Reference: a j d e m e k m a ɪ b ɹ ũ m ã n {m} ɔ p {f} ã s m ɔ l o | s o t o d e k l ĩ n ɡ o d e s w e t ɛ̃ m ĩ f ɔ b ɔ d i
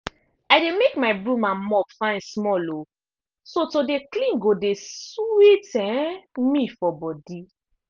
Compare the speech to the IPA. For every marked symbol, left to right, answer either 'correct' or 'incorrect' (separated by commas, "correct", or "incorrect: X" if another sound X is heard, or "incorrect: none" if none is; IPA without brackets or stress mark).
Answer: correct, correct